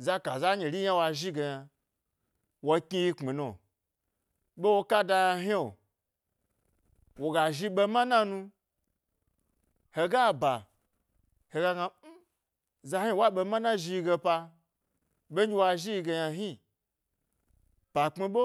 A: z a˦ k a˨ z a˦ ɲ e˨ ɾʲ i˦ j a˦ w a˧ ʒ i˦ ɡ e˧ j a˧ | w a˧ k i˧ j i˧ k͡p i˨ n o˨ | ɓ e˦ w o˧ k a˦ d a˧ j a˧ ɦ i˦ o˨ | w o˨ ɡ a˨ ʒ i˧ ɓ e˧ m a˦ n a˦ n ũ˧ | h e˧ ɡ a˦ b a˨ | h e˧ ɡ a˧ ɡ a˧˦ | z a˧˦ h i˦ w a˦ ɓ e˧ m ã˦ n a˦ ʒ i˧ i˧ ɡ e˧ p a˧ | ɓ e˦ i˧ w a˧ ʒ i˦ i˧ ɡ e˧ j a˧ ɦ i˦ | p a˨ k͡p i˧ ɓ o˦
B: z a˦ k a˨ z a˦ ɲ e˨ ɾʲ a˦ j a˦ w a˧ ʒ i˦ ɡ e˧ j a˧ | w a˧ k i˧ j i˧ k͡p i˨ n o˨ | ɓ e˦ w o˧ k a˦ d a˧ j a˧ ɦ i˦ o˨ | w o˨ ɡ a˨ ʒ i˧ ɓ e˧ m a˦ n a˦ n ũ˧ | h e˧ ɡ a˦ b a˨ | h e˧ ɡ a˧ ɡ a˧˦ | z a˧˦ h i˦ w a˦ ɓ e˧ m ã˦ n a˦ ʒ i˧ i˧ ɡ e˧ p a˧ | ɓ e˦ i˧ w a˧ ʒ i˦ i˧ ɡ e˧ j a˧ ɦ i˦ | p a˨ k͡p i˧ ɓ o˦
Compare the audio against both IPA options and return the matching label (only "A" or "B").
A